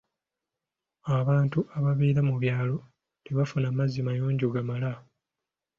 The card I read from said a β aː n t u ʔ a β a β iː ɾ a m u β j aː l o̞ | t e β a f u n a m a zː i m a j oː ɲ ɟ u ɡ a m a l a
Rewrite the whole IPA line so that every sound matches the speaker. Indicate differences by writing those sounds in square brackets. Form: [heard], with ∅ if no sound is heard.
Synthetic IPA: a β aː n t u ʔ a β a β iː ɾ a m u β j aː l o̞ | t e β a f u n a m a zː i m a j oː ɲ ɟ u ɡ a m a l a